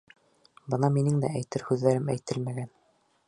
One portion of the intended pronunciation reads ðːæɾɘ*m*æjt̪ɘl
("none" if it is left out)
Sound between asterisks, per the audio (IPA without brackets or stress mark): m